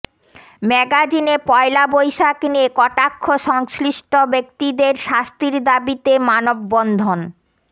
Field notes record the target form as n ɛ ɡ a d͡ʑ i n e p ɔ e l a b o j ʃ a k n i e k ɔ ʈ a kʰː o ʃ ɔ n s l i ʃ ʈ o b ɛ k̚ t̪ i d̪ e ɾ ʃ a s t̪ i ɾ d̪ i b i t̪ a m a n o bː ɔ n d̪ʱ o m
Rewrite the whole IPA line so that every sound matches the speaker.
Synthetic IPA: m ɛ ɡ a d͡ʑ i n e p ɔ e l a b o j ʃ a k n i e k ɔ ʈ a kʰː o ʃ ɔ ŋ s l i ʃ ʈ o b e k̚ t̪ i d̪ e ɾ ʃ a s t̪ i ɾ d̪ a b i t̪ e m a n o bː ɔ n d̪ʱ o n